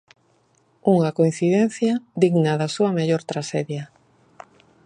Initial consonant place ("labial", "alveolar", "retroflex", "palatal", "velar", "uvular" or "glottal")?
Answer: velar